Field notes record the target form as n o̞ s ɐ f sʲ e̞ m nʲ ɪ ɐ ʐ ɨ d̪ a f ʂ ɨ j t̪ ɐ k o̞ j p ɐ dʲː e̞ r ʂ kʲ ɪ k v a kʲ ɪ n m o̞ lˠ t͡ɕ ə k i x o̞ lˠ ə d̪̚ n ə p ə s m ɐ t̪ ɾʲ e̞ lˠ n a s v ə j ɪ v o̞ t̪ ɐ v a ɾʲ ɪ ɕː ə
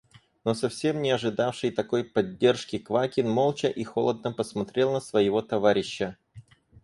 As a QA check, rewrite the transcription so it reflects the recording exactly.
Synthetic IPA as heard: n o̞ s ɐ f sʲ e̞ m nʲ ɪ ɐ ʐ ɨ d̪ a f ʂ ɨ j t̪ ɐ k o̞ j p ɐ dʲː e̞ r ʂ kʲ ɪ k v a kʲ ɪ n m o̞ lˠ t͡ɕ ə ʔ i x o̞ lˠ ə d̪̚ n ə p ə s m ɐ t̪ ɾʲ e̞ lˠ n ə s v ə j ɪ v o̞ t̪ ɐ v a ɾʲ ɪ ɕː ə